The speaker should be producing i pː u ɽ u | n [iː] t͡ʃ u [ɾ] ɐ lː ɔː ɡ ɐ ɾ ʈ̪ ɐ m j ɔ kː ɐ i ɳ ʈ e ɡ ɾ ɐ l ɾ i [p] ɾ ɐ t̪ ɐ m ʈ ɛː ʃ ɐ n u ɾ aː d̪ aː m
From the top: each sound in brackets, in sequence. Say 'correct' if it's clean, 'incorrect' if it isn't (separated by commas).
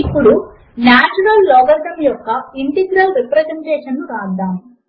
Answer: incorrect, correct, correct